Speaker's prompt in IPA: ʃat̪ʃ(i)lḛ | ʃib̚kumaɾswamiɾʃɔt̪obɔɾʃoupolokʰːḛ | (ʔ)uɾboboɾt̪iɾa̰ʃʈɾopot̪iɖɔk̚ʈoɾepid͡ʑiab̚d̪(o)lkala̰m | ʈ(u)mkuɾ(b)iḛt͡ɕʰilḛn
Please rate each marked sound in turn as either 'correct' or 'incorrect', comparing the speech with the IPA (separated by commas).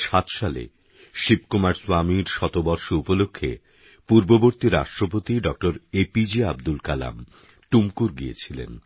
incorrect, incorrect, incorrect, correct, incorrect